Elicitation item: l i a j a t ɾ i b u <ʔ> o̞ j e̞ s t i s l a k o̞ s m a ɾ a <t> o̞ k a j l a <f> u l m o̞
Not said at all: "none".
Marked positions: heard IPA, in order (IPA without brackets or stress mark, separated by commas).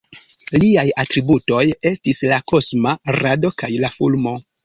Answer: t, d, f